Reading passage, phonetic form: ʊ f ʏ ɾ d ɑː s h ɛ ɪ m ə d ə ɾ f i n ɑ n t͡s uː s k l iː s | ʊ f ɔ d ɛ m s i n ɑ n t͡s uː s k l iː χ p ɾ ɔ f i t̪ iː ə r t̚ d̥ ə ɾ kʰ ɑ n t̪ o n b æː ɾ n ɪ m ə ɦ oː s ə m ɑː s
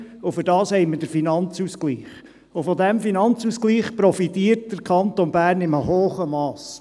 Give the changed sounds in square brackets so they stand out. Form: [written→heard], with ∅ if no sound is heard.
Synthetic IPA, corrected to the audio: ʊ f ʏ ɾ d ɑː s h ɛ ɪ m ə d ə ɾ f i n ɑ n t͡s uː s k l iː [s→χ] | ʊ f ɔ d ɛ m [s→f] i n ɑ n t͡s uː s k l iː χ p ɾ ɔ f i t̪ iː ə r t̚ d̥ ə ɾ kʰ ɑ n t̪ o n b æː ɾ n ɪ m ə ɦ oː [s→χ] ə m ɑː s